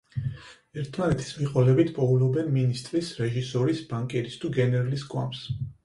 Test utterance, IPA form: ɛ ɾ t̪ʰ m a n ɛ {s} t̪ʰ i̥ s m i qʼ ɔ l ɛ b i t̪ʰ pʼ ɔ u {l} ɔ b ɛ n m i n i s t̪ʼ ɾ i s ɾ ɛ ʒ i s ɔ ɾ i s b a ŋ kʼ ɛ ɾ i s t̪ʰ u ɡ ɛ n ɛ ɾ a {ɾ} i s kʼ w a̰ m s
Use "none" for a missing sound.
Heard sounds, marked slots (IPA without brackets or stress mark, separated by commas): none, l, l